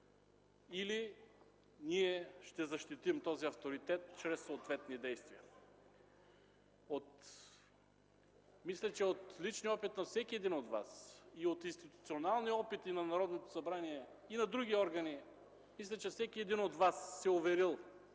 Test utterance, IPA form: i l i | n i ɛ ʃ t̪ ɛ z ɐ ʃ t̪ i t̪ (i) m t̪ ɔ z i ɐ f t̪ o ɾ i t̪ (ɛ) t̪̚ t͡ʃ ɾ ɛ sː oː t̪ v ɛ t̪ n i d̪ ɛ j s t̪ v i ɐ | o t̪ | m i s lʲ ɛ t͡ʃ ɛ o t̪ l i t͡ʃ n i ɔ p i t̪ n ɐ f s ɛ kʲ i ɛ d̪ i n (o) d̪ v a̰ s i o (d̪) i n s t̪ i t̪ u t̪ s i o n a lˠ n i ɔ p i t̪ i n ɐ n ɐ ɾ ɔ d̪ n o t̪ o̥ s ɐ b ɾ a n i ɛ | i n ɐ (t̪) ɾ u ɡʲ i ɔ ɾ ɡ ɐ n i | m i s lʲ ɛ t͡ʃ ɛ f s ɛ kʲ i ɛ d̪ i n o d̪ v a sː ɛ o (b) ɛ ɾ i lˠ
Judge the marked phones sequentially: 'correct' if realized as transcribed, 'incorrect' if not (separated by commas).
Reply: correct, correct, correct, incorrect, incorrect, incorrect